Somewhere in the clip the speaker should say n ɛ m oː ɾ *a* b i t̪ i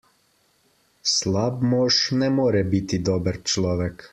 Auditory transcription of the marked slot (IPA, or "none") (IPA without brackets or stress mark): ɛ